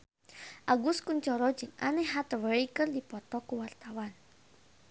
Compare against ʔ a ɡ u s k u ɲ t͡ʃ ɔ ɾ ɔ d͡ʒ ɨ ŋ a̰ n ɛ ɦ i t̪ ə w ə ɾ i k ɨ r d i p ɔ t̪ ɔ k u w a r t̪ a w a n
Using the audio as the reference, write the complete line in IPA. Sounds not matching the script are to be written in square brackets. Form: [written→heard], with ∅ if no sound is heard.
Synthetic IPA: ʔ a ɡ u s k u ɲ t͡ʃ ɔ ɾ ɔ d͡ʒ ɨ ŋ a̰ n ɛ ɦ [i→a] t̪ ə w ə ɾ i k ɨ r d i p ɔ t̪ ɔ k u w a r t̪ a w a n